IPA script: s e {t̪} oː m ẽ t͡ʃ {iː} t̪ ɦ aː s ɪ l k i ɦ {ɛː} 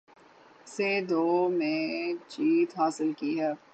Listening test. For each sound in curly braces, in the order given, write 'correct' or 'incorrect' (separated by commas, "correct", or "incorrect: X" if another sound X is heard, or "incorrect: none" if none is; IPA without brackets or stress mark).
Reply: incorrect: d̪, correct, correct